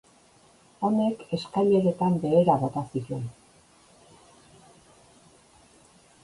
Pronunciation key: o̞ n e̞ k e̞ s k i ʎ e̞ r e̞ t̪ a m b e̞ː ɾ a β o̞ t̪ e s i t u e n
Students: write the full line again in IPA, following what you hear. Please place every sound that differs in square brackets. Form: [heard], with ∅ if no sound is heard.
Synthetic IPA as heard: o̞ n e̞ k e̞ s k [a] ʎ e̞ [ɾ] e̞ t̪ a m b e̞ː ɾ a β o̞ t̪ [a] s i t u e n